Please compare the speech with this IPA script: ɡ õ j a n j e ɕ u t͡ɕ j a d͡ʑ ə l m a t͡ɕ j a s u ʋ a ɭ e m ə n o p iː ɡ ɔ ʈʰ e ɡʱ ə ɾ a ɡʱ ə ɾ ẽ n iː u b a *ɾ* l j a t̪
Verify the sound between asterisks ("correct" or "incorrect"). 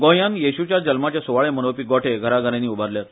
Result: correct